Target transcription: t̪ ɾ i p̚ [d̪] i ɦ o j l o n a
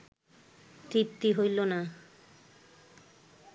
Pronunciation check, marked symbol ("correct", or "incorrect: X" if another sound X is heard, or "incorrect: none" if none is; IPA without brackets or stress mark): incorrect: t̪